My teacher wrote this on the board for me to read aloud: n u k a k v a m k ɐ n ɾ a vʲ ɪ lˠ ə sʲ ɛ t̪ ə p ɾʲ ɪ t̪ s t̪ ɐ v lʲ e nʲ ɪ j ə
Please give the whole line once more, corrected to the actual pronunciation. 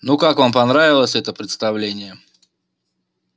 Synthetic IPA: n u k a k v a m p ɐ n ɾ a vʲ ɪ lˠ ə sʲ ɛ t̪ ə p ɾʲ ɪ t̪ s t̪ ɐ v lʲ e nʲ ɪ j ə